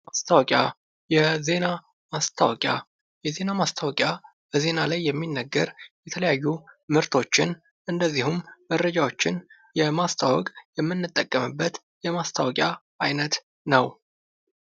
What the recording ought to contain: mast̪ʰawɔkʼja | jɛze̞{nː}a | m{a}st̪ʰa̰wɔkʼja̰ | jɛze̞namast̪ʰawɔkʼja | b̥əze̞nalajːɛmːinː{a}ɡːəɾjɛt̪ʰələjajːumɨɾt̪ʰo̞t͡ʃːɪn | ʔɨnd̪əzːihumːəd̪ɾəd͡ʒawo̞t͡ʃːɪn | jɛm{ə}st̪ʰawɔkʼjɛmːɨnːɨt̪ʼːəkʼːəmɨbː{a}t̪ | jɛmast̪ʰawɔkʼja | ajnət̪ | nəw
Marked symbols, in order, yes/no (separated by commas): no, yes, no, no, no